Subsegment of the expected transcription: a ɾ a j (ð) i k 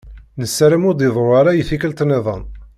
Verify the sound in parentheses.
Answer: incorrect: θ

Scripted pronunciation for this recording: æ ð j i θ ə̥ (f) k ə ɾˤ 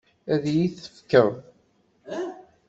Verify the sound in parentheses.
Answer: correct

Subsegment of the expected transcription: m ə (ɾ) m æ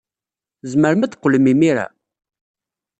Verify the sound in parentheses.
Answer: correct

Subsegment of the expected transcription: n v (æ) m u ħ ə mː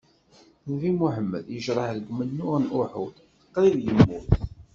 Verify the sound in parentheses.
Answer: incorrect: i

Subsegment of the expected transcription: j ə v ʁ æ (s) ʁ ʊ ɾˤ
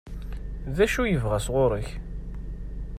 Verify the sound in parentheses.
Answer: correct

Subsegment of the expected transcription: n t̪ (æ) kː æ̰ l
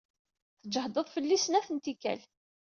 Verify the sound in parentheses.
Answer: incorrect: i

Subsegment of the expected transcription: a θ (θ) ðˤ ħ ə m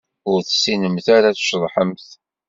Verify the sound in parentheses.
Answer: incorrect: ʃ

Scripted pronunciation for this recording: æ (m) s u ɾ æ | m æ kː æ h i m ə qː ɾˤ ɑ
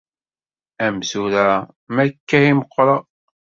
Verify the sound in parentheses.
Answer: correct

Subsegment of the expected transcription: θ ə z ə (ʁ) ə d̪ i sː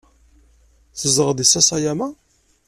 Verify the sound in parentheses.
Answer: correct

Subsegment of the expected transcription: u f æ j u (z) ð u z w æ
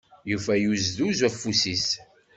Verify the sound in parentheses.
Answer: correct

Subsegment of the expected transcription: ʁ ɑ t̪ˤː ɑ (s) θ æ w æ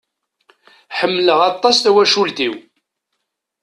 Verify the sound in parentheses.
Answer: correct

